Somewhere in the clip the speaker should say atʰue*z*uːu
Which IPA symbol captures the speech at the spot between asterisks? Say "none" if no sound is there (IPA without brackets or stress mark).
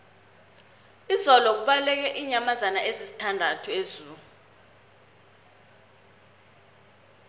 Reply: z